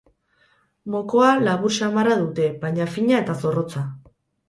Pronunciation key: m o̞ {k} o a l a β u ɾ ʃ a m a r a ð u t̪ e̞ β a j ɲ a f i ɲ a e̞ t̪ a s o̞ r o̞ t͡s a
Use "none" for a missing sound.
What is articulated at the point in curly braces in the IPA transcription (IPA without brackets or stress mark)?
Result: k